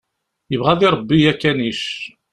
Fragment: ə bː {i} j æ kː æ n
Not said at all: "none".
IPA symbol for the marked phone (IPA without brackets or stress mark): i